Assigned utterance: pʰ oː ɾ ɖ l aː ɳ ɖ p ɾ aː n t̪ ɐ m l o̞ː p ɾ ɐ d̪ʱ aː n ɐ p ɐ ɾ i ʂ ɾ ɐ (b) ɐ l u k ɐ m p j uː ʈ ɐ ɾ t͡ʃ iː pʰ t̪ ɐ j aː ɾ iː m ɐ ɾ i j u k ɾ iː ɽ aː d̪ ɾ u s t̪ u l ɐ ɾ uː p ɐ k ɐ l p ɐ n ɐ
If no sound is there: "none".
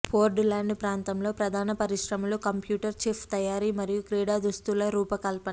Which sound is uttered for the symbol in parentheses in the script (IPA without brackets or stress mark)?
m